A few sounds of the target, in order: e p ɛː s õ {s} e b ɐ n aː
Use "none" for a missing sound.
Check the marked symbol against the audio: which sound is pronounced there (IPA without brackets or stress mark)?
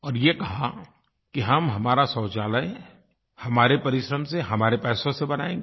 s